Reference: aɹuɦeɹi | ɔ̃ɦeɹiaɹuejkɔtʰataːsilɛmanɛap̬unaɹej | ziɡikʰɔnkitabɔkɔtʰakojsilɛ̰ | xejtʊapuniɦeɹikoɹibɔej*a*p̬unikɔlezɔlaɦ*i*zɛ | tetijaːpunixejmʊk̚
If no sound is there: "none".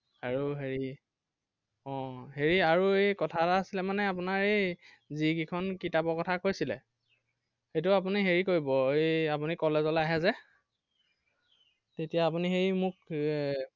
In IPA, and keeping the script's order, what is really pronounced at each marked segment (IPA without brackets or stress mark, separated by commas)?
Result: a, ɛ